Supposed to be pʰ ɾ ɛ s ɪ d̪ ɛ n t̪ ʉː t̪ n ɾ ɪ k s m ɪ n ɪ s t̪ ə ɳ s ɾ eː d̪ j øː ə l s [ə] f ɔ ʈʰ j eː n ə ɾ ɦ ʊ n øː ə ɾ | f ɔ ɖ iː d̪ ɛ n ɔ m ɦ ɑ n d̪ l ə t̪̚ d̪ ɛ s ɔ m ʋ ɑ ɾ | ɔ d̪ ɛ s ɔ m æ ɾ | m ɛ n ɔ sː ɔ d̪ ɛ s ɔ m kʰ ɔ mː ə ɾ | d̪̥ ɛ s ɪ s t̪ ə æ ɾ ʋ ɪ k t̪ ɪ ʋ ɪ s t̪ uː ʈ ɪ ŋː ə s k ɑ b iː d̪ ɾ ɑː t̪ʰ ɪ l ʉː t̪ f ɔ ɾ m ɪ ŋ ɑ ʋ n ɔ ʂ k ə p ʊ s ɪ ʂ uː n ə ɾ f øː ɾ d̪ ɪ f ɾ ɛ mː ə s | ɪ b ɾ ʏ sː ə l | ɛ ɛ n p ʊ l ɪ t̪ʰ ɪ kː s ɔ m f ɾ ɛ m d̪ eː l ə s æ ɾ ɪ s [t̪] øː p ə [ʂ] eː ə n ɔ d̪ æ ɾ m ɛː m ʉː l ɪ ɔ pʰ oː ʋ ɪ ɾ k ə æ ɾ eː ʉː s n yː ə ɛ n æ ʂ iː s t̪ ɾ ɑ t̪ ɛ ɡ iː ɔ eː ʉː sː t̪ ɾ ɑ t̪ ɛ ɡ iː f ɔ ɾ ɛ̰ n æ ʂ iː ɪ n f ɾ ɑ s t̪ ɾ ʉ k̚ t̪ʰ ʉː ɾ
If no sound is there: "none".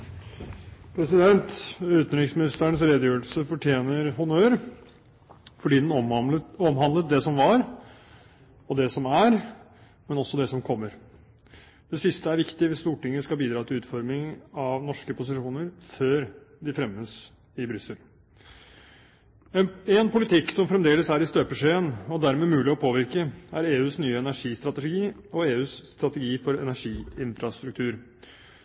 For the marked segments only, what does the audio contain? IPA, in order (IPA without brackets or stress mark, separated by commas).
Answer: ə, t̪, ʂ